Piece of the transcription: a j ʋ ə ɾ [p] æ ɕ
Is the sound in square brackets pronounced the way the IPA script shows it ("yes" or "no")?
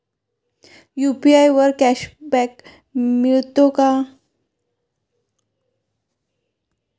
no